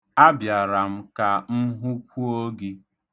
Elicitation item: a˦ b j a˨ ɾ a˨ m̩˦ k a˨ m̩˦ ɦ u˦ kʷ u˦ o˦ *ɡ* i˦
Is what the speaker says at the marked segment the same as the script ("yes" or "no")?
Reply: yes